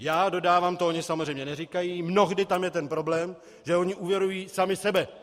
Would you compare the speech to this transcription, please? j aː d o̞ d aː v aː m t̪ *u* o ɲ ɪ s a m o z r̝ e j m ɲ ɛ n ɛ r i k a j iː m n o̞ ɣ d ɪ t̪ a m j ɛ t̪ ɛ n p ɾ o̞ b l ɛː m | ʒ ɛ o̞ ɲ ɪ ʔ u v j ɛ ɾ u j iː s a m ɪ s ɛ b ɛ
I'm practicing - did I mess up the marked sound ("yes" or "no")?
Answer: yes